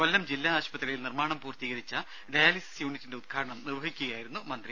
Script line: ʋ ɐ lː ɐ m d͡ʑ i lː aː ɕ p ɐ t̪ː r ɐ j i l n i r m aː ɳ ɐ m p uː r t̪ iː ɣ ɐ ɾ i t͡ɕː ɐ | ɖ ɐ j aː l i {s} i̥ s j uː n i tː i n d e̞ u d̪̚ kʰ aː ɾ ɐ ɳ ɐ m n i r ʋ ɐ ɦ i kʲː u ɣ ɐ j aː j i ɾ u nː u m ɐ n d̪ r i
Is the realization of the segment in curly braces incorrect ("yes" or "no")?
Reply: no